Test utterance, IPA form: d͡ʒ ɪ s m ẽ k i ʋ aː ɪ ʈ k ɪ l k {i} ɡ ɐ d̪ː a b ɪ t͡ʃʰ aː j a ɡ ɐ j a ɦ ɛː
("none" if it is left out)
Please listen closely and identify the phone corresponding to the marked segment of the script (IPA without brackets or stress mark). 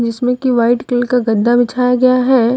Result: a